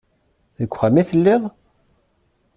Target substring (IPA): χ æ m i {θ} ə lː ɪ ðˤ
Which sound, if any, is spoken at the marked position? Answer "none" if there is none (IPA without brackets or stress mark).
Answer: θ